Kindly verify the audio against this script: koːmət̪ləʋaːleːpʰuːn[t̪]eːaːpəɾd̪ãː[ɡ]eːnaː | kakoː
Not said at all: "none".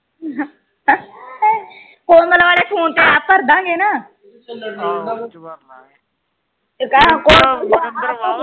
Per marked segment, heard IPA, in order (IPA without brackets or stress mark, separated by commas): t̪, ɡ